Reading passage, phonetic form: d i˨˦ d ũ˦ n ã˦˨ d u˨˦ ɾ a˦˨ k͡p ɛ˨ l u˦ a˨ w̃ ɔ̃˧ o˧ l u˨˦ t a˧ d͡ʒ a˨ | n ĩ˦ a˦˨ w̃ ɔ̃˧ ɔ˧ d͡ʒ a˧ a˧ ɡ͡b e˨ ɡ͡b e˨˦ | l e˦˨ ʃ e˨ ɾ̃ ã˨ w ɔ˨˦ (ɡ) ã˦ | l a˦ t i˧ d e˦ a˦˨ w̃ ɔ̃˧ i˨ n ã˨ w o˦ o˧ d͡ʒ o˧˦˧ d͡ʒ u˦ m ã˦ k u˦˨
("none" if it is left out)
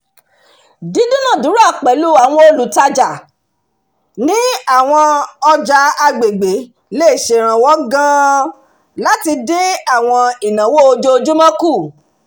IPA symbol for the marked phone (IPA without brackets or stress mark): ɡ